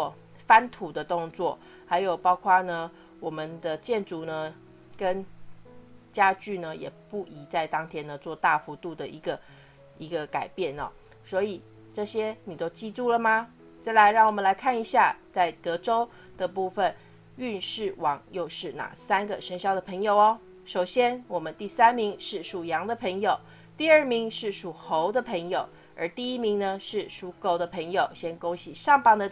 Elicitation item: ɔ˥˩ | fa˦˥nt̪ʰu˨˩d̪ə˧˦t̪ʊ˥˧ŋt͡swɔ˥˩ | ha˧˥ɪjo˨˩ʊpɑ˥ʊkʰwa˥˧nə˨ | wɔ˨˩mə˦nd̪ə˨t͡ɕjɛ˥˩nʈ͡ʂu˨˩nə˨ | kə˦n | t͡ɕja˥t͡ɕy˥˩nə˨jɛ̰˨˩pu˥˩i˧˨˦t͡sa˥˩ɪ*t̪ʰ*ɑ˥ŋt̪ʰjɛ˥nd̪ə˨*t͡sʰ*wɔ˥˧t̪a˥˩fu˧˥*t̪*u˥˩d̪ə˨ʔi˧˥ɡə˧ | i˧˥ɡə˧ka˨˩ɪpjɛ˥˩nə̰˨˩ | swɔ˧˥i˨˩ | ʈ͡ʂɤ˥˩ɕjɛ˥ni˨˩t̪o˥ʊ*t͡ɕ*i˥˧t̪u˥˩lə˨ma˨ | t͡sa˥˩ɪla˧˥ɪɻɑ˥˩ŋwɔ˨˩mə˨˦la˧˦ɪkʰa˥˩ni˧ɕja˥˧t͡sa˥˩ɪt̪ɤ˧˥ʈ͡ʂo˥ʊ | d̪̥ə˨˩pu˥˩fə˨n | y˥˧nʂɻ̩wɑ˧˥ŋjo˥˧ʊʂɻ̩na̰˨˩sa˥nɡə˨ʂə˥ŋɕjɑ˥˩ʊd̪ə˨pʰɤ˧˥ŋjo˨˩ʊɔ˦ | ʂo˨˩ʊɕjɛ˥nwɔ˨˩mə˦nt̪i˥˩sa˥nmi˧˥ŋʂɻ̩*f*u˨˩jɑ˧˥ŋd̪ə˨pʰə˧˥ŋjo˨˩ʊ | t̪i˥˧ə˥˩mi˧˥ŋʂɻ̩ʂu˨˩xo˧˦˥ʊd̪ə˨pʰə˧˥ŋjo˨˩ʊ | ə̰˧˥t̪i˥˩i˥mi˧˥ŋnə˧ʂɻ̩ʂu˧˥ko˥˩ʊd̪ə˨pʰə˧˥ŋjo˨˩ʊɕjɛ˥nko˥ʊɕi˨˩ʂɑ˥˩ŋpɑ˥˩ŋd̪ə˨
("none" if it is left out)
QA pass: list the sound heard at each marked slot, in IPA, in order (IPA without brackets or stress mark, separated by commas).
t̪, t͡s, t̪, t͡ɕ, ʂ